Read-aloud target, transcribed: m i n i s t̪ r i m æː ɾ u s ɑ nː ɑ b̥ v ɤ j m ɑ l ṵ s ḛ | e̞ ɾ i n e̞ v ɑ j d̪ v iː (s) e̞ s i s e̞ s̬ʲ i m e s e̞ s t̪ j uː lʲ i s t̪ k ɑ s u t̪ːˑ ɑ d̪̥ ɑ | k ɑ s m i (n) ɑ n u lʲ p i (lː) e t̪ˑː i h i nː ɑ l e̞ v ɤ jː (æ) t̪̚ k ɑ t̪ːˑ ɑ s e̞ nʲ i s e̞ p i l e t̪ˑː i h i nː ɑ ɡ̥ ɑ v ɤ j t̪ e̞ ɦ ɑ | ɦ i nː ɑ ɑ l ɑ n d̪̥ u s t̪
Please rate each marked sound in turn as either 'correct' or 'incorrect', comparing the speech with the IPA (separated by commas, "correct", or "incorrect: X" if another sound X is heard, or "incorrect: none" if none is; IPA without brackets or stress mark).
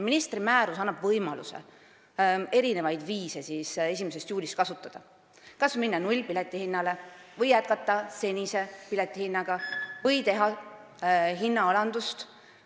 correct, incorrect: nː, incorrect: l, correct